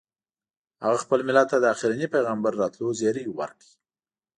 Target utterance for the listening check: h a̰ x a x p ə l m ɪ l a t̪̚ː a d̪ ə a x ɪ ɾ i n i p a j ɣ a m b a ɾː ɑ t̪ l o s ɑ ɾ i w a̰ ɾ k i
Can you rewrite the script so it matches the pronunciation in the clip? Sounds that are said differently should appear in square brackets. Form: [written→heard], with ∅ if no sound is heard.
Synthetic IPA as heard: h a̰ [x→ɣ] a x p ə l m ɪ l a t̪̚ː a d̪ ə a x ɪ ɾ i n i p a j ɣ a m b a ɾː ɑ t̪ l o [s→z] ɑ ɾ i w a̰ ɾ k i

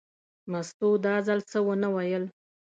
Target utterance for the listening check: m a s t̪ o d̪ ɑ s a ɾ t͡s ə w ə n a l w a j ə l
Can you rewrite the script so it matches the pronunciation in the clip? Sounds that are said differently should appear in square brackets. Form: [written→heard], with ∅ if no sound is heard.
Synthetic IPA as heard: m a s t̪ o d̪ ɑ [s→z] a [ɾ→l] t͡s ə w ə n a [l→∅] w a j ə l

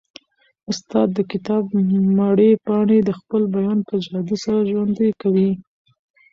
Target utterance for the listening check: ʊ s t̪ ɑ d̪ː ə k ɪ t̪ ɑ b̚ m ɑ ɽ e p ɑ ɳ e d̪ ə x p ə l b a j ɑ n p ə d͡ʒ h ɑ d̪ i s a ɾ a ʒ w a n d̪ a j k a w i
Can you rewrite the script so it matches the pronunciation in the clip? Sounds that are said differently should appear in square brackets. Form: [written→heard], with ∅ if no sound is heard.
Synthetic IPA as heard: ʊ s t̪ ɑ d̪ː ə k ɪ t̪ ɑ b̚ m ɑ ɽ e p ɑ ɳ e d̪ ə x p ə l b a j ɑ n p ə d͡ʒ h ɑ d̪ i s a ɾ a ʒ w a n d̪ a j k a w i

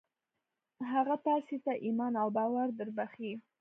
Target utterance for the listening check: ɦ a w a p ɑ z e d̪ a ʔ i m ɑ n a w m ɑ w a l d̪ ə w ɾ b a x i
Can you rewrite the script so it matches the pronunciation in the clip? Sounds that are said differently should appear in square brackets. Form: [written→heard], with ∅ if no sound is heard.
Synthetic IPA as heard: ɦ a [w→ɣ] a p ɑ [z→s] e [d̪→t̪] a ʔ i m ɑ n a w [m→b] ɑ w a [l→ɾ] d̪ ə [w→∅] ɾ b a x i

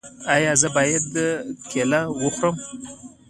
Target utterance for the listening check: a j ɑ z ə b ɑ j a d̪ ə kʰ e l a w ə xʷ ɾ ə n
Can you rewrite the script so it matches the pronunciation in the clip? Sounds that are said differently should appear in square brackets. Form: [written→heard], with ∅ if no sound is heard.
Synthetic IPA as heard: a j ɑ z ə b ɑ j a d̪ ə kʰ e l a w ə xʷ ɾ ə [n→m]

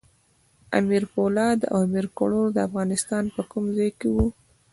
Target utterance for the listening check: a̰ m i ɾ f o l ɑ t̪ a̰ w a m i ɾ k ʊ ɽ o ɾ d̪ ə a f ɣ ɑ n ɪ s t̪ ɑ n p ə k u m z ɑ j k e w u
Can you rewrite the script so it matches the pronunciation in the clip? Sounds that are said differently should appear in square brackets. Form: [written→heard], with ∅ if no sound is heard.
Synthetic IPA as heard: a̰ m i ɾ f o l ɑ [t̪→d̪] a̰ w a m i ɾ k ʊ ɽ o ɾ d̪ ə a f ɣ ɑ n ɪ s t̪ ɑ n p ə k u m z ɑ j k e w u

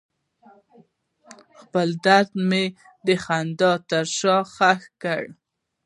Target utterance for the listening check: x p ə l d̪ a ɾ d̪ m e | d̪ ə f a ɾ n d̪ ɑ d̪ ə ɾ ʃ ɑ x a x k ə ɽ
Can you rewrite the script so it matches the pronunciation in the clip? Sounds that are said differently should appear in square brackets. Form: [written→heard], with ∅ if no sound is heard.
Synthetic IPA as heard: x p ə l d̪ a ɾ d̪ m e | d̪ ə [f→x] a [ɾ→∅] n d̪ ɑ [d̪→t̪] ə ɾ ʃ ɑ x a x k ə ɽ

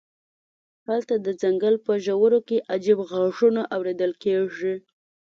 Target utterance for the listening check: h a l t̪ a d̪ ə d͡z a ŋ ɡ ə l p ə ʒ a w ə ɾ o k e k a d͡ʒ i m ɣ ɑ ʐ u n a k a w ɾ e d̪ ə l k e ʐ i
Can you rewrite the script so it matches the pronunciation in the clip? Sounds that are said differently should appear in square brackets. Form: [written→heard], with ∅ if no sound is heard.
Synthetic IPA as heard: h a l t̪ a d̪ ə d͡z a ŋ ɡ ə l p ə ʒ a w ə ɾ o k e [k→ʔ] a d͡ʒ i [m→b] ɣ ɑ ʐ u n a [k→ʔ] a w ɾ e d̪ ə l k e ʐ i

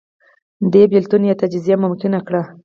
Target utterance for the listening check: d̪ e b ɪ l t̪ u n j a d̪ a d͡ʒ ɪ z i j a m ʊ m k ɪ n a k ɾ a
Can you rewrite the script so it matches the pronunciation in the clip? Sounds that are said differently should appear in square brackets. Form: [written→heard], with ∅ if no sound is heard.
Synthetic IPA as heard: d̪ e b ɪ l t̪ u n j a [d̪→t̪] a d͡ʒ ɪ z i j a m ʊ m k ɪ n a k [ɾ→ɽ] a

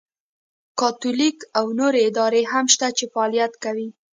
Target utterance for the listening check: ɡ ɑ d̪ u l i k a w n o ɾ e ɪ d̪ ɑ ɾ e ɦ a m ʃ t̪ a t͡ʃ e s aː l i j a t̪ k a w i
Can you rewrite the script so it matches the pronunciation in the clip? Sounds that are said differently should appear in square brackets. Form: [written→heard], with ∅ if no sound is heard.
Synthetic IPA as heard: [ɡ→k] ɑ [d̪→t̪] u l i k a w n o ɾ e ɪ d̪ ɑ ɾ e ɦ a m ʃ t̪ a t͡ʃ e [s→f] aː l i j a t̪ k a w i

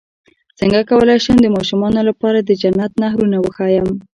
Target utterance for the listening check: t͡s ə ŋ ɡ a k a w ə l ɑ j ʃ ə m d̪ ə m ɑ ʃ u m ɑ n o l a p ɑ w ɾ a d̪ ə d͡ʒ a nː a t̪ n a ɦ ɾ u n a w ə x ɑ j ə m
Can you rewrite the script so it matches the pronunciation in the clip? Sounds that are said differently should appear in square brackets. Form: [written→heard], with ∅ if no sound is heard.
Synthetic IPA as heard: t͡s ə ŋ ɡ a k a w ə l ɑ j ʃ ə m d̪ ə m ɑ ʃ u m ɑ n o l a p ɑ [w→∅] ɾ a d̪ ə d͡ʒ a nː a t̪ n a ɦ ɾ u n a w ə x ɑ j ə m

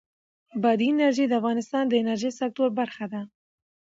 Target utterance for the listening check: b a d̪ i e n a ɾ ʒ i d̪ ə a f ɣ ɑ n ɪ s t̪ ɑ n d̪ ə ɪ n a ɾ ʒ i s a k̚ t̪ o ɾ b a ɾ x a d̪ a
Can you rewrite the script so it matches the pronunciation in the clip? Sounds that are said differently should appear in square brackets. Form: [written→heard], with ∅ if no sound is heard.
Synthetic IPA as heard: b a d̪ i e n a ɾ ʒ i d̪ ə a f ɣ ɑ n ɪ s t̪ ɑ n d̪ ə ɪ n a ɾ ʒ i s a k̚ t̪ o ɾ b a ɾ x a d̪ a

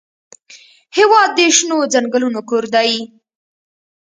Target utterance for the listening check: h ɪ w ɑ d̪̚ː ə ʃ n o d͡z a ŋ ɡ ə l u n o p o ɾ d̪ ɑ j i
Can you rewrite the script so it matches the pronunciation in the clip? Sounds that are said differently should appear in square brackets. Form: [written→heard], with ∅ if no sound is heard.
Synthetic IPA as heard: h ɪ w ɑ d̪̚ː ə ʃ n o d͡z a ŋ ɡ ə l u n o [p→k] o ɾ d̪ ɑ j i

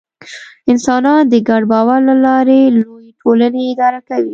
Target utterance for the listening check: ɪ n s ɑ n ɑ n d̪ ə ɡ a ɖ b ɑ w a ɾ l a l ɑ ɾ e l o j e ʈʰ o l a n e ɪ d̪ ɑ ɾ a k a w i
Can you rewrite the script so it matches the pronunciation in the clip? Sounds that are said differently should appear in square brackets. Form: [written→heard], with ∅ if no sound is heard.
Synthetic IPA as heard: ɪ n s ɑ n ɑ n d̪ ə ɡ a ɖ b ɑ w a ɾ l a l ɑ ɾ e l o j e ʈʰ o l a n e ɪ d̪ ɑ ɾ a k a w i

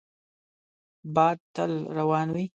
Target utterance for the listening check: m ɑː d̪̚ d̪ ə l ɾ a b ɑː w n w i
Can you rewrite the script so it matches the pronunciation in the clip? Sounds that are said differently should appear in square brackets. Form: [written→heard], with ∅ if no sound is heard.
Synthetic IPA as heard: [m→b] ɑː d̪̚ [d̪→t̪] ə l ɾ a [b→w] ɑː [w→∅] n w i

